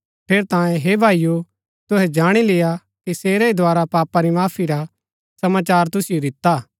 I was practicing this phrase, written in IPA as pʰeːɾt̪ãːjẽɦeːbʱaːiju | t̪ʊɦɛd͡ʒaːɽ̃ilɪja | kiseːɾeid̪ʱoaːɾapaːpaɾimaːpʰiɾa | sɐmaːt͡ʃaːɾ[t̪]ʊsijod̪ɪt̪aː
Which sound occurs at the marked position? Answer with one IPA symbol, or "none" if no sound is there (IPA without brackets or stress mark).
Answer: t̪